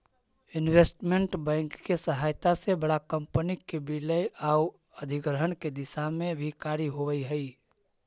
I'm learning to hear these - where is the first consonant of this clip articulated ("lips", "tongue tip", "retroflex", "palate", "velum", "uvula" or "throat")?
tongue tip